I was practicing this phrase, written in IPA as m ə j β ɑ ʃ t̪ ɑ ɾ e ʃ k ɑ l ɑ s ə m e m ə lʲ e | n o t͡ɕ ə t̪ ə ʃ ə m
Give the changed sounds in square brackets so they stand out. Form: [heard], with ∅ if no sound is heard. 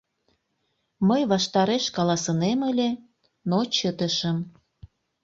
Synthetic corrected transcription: m ə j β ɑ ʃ t̪ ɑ ɾ e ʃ k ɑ l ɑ s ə [n] e m ə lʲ e | n o t͡ɕ ə t̪ ə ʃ ə m